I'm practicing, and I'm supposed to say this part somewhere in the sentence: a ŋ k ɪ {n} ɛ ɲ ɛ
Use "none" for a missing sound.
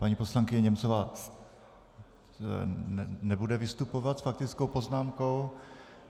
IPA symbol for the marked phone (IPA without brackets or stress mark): ɲ